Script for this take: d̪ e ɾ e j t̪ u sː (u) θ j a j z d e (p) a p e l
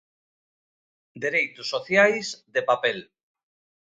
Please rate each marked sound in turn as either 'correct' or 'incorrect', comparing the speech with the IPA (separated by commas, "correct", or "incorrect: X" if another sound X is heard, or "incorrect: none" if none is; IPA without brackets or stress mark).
incorrect: o, correct